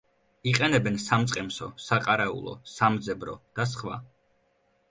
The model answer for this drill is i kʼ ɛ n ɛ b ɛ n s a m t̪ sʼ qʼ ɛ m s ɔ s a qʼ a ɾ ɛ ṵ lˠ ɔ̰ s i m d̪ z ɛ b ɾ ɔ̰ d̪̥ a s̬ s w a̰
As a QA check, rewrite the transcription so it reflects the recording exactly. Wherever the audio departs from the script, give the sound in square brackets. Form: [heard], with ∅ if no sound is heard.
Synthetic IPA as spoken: i [qʼ] ɛ n ɛ b ɛ n s a m t̪ sʼ qʼ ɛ m s ɔ s a qʼ a ɾ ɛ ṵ lˠ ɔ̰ s [a] m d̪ z ɛ b ɾ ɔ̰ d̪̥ a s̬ [χ] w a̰